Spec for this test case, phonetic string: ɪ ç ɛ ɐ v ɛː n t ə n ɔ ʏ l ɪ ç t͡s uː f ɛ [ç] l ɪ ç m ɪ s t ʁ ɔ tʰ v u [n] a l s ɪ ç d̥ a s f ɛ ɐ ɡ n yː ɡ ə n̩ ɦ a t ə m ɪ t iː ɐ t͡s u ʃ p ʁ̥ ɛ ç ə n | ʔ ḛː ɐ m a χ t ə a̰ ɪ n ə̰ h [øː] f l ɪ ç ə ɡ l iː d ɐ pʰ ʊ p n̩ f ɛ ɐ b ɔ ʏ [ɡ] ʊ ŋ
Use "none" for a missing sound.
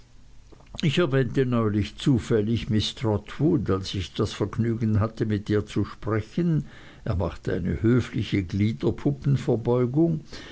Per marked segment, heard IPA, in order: none, d, øː, ɡ

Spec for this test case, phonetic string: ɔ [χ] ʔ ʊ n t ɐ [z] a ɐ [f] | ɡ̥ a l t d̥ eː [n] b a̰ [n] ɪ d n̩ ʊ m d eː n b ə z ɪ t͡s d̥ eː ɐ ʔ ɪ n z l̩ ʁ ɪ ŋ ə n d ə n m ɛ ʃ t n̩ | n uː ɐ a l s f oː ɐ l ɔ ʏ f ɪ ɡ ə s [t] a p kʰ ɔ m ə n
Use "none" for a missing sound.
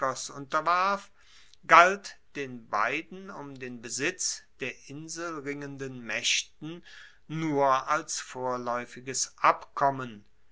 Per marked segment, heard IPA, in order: s, v, f, n, none, ʔ

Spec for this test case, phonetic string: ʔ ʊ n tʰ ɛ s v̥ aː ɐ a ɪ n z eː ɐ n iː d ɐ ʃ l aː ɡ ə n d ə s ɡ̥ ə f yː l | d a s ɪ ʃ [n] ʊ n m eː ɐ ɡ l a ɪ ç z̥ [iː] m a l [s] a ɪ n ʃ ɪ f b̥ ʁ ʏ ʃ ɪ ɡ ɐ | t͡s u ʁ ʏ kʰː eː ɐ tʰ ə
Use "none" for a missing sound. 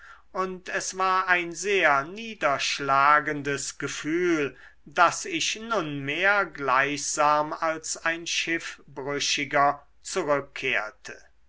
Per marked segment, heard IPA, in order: n, aː, s

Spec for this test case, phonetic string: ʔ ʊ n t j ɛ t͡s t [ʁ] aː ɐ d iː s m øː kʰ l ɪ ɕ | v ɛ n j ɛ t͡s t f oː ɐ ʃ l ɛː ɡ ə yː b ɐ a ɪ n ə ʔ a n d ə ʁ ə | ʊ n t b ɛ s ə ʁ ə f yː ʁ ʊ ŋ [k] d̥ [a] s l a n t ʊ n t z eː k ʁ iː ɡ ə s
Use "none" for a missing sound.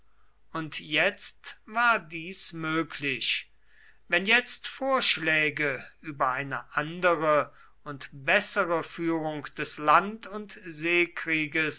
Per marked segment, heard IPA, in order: v, k, ɛ

